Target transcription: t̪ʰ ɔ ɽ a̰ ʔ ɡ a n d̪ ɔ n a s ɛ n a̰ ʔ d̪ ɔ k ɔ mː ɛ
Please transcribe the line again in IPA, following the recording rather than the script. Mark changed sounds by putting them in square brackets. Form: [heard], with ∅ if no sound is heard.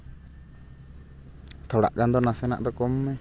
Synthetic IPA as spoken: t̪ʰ ɔ ɽ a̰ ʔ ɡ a n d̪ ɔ n a s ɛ n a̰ ʔ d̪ ɔ k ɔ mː ɛ

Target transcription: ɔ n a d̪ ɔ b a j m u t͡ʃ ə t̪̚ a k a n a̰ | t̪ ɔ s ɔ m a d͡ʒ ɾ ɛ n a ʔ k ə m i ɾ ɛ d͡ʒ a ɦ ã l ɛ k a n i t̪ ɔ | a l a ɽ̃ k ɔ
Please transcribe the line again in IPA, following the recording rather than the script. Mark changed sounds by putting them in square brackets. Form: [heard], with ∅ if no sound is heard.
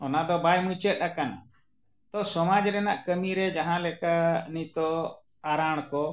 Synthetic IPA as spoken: ɔ n a d̪ ɔ b a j m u t͡ʃ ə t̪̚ a k a n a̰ | t̪ ɔ s ɔ m a d͡ʒ ɾ ɛ n a ʔ k ə m i ɾ ɛ d͡ʒ a ɦ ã l ɛ k a n i t̪ ɔ | a [ɾ] a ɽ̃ k ɔ

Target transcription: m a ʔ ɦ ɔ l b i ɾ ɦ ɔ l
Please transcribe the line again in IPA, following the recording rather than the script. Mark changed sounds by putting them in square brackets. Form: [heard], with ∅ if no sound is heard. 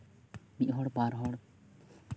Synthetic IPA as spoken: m [i] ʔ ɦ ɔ [ɽ] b [a] ɾ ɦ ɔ [ɽ]

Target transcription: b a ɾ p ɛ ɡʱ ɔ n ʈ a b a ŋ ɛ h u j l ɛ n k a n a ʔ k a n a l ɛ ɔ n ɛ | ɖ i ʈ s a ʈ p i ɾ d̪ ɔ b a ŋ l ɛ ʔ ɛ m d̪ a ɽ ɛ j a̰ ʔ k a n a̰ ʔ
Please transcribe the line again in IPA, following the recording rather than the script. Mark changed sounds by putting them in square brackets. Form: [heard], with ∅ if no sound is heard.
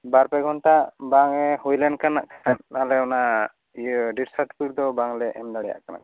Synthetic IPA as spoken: b a ɾ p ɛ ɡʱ ɔ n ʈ a b a ŋ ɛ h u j l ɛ n k a n a ʔ k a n a l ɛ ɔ n [a] | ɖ i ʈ s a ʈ p i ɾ d̪ ɔ b a ŋ l ɛ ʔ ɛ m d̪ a ɽ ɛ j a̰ ʔ k a n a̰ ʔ

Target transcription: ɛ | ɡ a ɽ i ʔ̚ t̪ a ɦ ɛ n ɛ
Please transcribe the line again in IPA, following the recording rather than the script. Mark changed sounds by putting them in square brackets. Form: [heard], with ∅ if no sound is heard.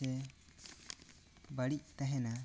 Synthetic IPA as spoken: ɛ | [b] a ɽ i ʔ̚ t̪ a ɦ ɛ n [a]

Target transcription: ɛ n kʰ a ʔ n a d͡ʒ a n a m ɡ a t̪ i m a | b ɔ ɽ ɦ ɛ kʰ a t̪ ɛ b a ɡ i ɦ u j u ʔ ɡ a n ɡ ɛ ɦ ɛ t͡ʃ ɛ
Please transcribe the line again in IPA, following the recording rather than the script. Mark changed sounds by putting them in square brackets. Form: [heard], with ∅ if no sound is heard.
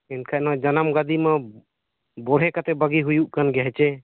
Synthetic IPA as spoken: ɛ n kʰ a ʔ n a d͡ʒ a n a m ɡ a [d̪] i m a | b ɔ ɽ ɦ ɛ [k] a t̪ ɛ b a ɡ i ɦ u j u ʔ [k] a n ɡ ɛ ɦ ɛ t͡ʃ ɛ

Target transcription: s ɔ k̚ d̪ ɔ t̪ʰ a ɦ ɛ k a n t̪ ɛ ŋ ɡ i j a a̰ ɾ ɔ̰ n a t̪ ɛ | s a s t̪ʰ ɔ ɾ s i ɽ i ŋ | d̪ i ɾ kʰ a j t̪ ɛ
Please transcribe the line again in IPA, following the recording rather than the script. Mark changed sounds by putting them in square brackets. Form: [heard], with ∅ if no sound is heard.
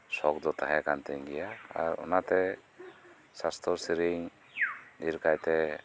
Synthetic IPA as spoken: s ɔ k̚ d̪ ɔ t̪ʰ a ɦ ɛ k a n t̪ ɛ ŋ ɡ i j a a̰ ɾ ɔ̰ n a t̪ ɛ | s a s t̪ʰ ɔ ɾ s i [ɾ] i ŋ | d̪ i ɾ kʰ a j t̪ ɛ

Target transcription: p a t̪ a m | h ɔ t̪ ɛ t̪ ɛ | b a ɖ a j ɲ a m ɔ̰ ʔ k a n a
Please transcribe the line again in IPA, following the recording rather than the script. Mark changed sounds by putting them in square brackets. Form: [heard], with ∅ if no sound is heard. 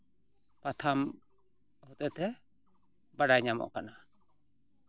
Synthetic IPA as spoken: p a [t̪ʰ] a m | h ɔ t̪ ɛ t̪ ɛ | b a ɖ a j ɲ a m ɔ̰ ʔ k a n a

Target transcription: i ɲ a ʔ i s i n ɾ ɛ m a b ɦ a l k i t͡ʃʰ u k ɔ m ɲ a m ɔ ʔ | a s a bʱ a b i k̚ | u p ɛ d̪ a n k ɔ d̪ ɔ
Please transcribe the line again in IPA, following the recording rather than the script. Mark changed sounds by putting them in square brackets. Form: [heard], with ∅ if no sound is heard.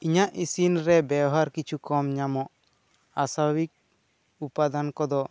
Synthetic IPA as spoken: i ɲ a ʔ i s i n ɾ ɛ [b] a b ɦ a [ɾ] k i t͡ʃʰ u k ɔ m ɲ a m ɔ ʔ | a s a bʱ a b i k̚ | u p [a] d̪ a n k ɔ d̪ ɔ

